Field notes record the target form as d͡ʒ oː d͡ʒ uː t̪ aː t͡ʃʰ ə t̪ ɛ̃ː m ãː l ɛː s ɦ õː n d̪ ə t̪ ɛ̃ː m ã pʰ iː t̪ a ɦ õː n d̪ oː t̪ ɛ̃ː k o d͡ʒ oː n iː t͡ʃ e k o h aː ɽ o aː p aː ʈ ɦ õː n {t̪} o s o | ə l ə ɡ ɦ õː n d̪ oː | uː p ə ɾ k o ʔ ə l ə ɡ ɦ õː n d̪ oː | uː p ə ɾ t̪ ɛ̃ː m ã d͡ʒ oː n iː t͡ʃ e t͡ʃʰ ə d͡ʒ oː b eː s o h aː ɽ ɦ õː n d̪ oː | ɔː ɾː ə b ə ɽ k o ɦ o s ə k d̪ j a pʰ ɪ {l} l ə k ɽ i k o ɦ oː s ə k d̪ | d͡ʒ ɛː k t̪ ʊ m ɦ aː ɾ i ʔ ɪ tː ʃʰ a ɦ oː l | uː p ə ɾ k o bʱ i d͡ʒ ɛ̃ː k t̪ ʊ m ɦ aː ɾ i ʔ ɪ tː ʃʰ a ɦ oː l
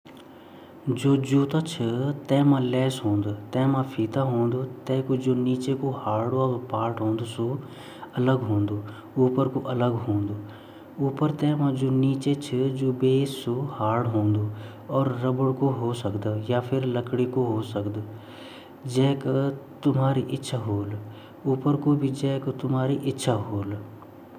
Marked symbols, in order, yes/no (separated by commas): no, no